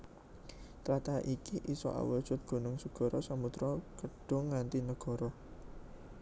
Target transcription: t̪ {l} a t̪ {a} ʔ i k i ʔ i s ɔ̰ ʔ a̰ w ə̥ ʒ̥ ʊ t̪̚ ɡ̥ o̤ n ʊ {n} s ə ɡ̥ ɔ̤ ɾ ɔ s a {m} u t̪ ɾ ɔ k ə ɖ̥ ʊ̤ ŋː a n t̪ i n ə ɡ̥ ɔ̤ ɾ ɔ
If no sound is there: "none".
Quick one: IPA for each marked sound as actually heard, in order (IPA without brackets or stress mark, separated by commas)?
ɾ, a, ŋ, m